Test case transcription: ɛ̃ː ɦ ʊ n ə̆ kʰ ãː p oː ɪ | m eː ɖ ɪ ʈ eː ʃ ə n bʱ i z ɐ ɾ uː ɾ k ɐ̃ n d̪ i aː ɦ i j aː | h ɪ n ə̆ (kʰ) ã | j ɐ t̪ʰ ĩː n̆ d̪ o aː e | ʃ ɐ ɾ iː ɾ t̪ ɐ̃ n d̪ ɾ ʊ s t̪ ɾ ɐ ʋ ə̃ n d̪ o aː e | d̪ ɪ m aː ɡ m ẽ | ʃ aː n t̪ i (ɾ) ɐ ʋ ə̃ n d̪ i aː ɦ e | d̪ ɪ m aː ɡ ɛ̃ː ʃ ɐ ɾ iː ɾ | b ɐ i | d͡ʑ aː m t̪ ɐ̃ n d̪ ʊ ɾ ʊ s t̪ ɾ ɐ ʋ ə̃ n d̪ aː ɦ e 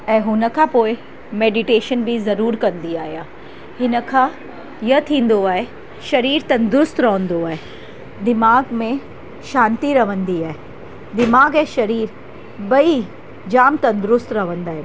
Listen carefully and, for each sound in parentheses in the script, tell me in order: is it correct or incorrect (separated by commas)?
correct, correct